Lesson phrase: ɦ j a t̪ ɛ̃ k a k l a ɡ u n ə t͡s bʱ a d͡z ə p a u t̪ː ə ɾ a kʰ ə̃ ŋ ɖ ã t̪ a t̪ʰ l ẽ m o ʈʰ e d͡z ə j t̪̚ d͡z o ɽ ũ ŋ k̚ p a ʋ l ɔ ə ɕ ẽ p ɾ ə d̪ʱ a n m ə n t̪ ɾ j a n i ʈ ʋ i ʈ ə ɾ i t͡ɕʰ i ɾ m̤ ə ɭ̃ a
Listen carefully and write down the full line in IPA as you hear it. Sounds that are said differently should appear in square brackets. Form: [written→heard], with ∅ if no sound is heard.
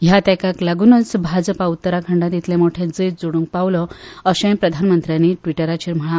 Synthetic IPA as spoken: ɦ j a t̪ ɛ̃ k a k l a ɡ u n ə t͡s bʱ a d͡z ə p a u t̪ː ə ɾ a kʰ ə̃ [ŋ→ɳ] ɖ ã t̪ [a→i] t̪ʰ l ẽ m o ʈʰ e d͡z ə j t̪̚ d͡z o ɽ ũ ŋ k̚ p a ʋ l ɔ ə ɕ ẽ p ɾ ə d̪ʱ a n m ə n t̪ ɾ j a n i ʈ ʋ i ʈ ə ɾ [i→a] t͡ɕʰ i ɾ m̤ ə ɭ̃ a